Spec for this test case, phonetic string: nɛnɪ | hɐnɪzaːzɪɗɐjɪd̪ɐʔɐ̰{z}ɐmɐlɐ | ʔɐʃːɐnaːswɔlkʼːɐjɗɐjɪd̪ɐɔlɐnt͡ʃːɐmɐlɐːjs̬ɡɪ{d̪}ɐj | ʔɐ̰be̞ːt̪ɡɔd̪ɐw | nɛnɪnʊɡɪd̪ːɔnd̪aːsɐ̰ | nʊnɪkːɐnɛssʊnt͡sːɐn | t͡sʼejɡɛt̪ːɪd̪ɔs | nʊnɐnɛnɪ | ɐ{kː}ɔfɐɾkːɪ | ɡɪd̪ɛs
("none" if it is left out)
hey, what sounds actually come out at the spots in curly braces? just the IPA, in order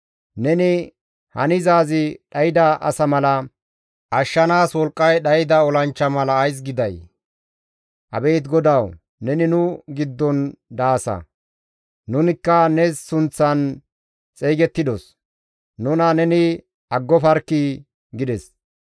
s, d̪, ɡː

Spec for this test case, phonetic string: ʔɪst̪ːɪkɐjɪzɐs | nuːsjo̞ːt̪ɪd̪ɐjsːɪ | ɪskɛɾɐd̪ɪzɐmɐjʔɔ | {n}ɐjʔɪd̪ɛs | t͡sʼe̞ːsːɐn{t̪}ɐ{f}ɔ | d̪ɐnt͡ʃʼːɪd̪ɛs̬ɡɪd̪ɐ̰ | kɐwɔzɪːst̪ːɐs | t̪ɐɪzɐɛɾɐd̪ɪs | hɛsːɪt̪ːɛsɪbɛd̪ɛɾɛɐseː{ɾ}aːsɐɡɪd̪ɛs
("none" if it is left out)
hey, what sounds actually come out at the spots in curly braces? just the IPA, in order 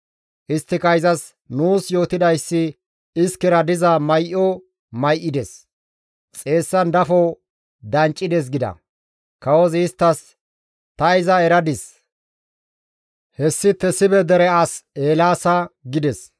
m, d̪, f, l

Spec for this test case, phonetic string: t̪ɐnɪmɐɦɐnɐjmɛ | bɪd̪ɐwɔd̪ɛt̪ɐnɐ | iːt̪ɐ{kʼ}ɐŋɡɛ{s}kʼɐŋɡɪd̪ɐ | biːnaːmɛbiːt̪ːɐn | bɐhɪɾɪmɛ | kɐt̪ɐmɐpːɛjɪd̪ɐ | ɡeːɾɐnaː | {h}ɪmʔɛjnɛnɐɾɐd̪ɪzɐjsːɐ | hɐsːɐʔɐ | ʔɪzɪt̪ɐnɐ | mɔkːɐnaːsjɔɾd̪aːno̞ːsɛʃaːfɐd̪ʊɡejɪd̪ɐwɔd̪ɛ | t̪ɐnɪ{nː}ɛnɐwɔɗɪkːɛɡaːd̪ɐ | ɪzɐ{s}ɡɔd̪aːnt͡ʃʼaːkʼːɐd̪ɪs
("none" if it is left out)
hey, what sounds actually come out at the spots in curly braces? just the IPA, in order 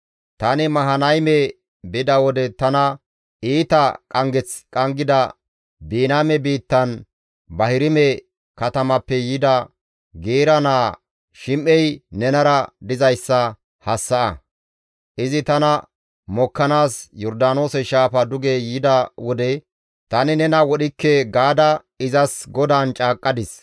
kʼ, t͡s, ʃ, n, s

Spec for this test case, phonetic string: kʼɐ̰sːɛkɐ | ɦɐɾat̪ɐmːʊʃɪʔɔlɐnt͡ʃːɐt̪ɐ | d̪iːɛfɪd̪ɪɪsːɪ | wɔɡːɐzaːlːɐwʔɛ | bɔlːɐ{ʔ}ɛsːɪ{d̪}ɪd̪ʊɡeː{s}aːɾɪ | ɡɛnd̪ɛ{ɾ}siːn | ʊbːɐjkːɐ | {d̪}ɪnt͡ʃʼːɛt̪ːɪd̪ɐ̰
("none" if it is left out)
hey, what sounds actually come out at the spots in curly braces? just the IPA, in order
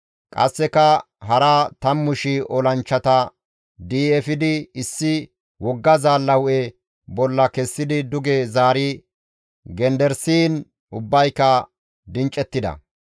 k, d̪, z, ɾ, d̪

